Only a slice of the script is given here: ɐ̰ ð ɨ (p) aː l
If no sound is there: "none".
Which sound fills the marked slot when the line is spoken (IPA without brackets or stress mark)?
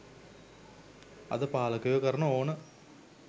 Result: p